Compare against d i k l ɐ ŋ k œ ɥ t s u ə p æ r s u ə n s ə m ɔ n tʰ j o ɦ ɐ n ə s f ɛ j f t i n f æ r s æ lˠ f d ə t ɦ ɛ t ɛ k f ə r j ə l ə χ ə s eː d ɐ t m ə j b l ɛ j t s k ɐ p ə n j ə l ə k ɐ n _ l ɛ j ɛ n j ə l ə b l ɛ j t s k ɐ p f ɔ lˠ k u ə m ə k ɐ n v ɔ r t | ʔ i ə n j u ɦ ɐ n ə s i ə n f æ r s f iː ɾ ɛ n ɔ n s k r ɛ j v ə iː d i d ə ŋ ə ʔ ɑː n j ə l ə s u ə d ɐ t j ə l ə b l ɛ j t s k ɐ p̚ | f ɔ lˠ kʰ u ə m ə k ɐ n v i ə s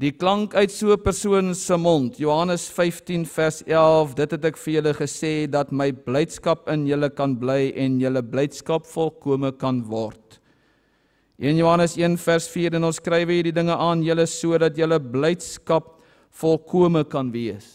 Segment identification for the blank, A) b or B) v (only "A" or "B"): A